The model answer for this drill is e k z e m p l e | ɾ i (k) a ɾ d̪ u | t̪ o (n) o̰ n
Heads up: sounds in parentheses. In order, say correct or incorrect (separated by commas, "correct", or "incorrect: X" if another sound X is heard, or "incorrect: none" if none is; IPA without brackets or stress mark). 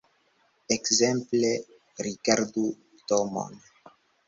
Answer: correct, incorrect: m